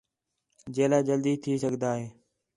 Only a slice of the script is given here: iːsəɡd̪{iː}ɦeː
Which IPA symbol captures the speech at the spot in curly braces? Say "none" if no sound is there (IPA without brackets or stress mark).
aː